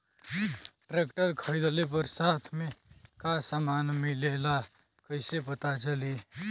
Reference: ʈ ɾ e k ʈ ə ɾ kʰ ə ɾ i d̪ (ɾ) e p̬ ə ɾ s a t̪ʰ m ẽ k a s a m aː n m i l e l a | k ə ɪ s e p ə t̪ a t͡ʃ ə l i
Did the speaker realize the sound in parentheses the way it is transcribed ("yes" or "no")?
no